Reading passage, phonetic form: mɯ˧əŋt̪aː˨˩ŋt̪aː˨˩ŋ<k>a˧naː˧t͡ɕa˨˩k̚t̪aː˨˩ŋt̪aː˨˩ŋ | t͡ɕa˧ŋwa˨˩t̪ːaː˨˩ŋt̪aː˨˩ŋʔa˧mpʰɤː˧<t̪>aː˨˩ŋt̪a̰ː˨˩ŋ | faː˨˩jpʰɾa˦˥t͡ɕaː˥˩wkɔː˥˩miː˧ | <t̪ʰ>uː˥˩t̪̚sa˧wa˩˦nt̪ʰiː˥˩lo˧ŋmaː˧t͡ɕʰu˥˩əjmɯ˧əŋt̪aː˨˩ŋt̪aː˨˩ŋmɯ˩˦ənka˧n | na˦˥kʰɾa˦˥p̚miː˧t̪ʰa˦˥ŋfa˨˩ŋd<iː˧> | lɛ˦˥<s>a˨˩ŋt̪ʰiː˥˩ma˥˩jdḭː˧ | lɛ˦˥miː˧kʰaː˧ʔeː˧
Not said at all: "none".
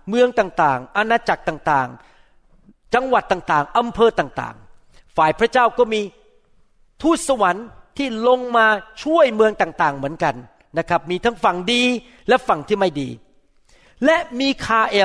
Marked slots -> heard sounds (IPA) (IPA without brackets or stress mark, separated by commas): ʔ, t̪, t̪ʰ, iː˧, f